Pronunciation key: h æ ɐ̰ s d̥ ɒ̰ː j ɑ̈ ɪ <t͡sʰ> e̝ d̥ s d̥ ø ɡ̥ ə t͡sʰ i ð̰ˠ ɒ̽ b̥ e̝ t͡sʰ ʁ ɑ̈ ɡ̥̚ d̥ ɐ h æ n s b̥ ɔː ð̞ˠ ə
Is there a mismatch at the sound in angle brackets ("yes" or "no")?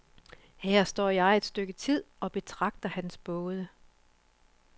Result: yes